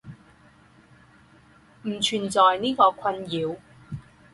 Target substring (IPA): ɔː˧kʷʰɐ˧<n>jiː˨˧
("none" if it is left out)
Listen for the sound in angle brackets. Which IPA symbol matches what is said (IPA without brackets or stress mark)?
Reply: n